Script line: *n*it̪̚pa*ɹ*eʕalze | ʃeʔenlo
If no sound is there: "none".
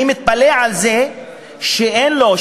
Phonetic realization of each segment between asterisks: m, l

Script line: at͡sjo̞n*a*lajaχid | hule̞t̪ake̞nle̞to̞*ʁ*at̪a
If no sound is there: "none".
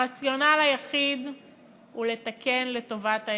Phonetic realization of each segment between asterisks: a, v

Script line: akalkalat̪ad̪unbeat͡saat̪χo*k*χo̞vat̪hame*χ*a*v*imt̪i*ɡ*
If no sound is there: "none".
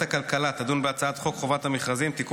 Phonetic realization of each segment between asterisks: k, χ, z, k

